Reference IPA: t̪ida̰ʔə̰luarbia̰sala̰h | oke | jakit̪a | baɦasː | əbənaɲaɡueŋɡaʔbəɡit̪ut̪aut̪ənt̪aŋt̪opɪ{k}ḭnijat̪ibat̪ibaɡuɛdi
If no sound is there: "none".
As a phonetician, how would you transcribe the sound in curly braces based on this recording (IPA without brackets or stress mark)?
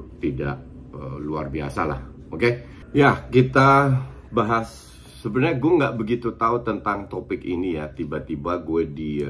k